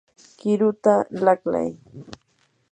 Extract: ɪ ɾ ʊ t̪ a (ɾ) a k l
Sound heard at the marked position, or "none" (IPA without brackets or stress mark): l